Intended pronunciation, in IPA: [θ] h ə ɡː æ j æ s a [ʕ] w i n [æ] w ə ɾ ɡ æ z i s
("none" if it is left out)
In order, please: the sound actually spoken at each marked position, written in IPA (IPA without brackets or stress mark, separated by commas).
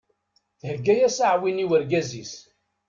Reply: θ, ʕ, i